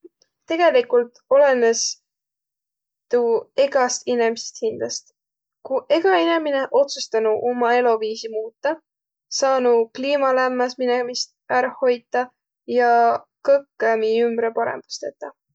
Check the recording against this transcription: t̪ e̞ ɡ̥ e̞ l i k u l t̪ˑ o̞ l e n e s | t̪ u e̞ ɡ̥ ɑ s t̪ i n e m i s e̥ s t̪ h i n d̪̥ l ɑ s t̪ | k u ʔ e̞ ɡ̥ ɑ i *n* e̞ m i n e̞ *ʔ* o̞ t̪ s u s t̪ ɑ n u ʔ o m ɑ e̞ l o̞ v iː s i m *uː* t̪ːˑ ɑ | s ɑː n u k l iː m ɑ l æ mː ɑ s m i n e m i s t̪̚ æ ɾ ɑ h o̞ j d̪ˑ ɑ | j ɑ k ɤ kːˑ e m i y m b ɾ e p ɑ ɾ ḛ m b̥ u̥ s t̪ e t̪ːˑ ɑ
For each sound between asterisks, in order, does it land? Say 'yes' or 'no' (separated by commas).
yes, yes, yes